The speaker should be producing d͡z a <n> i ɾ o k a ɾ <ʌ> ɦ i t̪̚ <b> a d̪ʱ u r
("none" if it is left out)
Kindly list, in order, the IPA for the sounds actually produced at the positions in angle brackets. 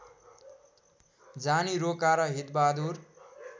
n, ʌ, b

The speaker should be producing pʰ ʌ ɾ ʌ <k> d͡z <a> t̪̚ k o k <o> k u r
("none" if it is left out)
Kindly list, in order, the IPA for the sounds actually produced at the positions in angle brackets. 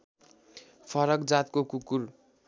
k, a, u

